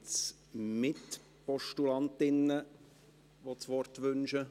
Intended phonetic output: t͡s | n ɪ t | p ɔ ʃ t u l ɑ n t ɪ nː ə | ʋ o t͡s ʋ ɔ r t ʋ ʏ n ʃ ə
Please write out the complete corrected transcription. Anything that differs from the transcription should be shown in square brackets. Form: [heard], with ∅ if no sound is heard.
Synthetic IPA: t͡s | [m] ɪ t | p ɔ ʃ t u l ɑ n t ɪ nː ə | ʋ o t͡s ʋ ɔ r t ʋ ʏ n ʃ ə

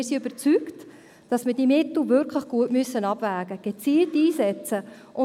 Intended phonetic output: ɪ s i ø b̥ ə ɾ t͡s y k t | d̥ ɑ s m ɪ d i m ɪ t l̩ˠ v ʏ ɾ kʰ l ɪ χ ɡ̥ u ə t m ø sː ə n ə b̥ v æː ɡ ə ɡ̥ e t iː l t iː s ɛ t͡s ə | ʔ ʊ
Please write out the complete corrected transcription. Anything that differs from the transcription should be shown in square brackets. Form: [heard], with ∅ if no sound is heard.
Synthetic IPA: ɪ s i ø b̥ ə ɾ t͡s y k t | d̥ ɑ s m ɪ d i m ɪ t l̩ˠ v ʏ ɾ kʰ l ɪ χ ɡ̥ u ə t m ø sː ə n [ɑ] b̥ v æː ɡ ə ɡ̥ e [t͡s] iː l t iː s ɛ t͡s ə | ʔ ʊ

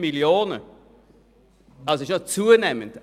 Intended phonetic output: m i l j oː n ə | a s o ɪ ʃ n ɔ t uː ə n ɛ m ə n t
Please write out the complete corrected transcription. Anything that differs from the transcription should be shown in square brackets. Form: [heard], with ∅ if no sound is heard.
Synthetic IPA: m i l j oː n ə | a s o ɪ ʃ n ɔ [t͡s] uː ə n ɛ m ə n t

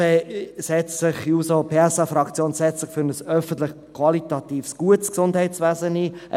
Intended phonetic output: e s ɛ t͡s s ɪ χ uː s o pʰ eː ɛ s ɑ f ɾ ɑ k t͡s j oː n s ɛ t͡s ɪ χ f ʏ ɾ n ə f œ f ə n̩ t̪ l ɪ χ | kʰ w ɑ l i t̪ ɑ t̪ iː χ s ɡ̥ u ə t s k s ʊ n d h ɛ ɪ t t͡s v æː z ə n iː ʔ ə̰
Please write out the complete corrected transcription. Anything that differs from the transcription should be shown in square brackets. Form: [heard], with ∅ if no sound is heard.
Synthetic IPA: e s ɛ t͡s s ɪ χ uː s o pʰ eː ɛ s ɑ f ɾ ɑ k t͡s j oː n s ɛ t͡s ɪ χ f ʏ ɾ n ə [s] œ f ə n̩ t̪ l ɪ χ | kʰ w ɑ l i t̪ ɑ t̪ iː [f] s ɡ̥ u ə t s k s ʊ n d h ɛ ɪ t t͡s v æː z ə n iː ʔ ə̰

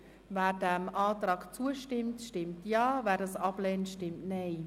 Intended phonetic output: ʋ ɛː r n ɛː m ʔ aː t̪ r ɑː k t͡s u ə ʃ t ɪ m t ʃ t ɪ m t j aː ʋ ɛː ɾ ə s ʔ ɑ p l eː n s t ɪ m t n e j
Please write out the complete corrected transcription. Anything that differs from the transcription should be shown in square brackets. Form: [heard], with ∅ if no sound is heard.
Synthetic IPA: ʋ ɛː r [d] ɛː m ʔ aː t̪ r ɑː k t͡s u ə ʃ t ɪ m t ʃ t ɪ m t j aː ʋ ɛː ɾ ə s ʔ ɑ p l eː n [ʃ] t ɪ m t n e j

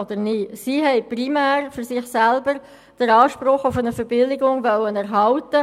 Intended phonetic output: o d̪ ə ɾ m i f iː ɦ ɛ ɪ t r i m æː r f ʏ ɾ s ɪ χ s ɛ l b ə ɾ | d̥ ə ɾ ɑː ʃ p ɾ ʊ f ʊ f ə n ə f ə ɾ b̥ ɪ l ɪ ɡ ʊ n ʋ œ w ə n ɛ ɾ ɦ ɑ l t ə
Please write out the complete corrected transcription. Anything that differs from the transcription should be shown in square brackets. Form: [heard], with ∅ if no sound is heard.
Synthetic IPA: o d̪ ə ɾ [n] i [s] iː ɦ ɛ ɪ [p] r i m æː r f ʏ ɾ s ɪ χ s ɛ l b ə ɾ | d̥ ə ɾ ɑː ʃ p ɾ ʊ [χ] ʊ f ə n ə f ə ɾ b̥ ɪ l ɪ ɡ ʊ [ŋ] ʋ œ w ə n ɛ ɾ ɦ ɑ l t ə

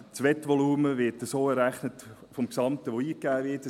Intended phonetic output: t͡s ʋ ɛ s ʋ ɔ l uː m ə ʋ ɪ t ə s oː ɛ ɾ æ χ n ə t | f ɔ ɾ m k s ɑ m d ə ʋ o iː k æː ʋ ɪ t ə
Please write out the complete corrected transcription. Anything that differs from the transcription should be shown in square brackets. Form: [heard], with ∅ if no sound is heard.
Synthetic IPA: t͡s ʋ ɛ [t] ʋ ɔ l uː m ə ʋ ɪ t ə s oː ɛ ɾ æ χ n ə t | f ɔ [∅] m k s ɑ m [t] ə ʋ o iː k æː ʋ ɪ t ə

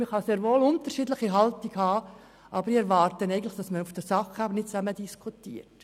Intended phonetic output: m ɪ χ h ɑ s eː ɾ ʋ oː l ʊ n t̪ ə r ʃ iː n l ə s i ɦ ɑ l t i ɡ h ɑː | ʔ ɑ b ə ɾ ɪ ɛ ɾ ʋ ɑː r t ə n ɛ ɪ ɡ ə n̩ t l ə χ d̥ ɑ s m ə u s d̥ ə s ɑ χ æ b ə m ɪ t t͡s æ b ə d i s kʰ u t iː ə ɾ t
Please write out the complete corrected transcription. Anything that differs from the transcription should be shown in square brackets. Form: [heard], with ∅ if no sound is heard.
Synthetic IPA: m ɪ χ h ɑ s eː ɾ ʋ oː l ʊ n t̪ ə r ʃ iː [d] l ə [χ] i ɦ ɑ l t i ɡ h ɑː | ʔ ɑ b ə ɾ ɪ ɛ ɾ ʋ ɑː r t ə n ɛ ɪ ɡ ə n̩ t l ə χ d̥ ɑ s m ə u [f] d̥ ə s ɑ χ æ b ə [n] ɪ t t͡s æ [m] ə d i s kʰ u t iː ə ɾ t

